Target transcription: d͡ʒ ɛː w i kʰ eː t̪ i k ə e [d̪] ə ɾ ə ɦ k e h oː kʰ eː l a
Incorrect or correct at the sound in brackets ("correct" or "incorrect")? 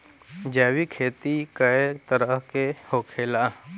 incorrect